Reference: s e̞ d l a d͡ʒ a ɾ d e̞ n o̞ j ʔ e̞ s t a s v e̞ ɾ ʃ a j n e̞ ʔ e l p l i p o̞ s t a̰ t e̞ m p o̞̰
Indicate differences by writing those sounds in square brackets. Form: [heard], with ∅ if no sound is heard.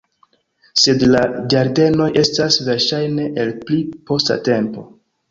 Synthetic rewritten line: s e̞ d l a d͡ʒ a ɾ d e̞ n o̞ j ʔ e̞ s t a s v e̞ ɾ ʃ a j n e̞ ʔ e l p l i p o̞ s t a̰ t e̞ m p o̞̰